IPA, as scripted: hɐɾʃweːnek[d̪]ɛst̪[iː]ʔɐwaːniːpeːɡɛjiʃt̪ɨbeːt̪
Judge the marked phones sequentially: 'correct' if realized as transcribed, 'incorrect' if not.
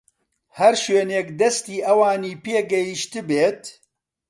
correct, correct

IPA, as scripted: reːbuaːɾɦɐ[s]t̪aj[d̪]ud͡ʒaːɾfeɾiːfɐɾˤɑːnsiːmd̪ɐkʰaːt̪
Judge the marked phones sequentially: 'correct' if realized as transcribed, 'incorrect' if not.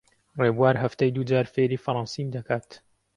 incorrect: f, correct

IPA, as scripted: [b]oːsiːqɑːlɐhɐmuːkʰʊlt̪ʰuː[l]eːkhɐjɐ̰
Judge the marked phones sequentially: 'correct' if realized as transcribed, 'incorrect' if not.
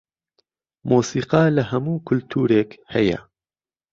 incorrect: m, incorrect: ɾ

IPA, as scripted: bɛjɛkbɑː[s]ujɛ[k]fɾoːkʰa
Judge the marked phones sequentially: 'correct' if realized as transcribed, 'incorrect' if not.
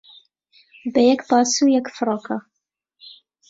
correct, correct

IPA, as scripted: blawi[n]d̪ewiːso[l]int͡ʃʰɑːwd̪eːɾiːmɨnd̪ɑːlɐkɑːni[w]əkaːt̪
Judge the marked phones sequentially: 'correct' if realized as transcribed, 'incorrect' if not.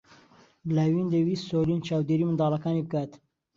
correct, correct, incorrect: b

